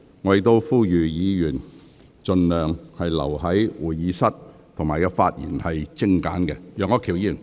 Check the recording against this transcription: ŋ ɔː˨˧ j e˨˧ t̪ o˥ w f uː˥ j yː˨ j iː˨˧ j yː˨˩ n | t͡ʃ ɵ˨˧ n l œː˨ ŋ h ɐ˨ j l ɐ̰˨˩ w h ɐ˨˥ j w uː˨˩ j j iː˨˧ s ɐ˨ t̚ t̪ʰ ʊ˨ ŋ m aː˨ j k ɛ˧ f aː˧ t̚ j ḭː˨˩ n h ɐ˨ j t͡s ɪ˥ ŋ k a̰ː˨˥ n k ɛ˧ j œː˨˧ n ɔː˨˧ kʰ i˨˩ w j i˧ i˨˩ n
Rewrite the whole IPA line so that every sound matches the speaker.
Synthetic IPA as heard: ŋ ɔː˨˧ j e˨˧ t̪ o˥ w f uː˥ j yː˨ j iː˨˧ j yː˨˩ n | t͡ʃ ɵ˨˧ n l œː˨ ŋ h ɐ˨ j l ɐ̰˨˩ w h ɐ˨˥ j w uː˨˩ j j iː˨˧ s ɐ˥ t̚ t̪ʰ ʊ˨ ŋ m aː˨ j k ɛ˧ f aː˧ t̚ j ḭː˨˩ n h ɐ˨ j t͡s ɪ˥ ŋ k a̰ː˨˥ n k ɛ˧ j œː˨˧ ŋ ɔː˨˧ kʰ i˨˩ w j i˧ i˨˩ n